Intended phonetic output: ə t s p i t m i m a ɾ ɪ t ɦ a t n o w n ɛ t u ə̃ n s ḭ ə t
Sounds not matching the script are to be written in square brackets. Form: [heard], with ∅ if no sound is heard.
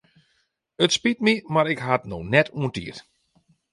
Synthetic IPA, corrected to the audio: ə t s p i t m i m a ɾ ɪ [k] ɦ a t n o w n ɛ t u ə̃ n [t] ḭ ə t